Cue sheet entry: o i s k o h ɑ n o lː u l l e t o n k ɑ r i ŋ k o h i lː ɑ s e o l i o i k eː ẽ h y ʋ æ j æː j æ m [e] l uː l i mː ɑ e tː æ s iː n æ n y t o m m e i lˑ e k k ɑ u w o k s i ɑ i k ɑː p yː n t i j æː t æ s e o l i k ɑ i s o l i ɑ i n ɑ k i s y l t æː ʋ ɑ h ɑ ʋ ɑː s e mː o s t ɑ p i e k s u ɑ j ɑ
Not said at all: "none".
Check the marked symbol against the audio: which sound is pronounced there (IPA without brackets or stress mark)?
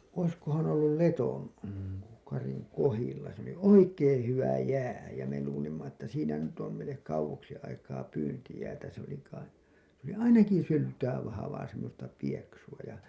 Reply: e